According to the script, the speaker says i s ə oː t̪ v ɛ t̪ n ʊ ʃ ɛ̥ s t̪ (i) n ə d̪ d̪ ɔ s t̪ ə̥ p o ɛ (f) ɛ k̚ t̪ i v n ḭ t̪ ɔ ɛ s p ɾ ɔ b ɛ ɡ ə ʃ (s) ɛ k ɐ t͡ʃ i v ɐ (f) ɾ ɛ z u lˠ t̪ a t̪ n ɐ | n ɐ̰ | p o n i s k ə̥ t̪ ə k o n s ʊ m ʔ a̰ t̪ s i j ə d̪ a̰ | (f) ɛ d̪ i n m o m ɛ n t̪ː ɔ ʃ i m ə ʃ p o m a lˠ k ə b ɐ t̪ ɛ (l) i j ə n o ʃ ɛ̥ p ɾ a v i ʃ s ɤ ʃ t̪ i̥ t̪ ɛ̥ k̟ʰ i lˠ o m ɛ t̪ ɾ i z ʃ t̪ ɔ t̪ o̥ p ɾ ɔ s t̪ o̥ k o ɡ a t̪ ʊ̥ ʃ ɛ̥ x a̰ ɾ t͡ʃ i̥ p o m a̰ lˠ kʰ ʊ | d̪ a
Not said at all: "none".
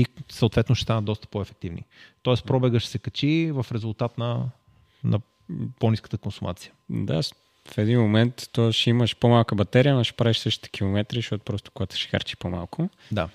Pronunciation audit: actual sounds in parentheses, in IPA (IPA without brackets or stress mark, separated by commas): a, f, s, f, f, ɾ